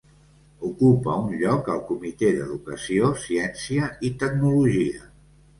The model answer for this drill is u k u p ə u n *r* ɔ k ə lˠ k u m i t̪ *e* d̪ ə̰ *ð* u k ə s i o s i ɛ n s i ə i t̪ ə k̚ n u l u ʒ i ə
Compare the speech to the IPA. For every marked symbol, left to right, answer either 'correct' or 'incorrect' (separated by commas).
incorrect, correct, correct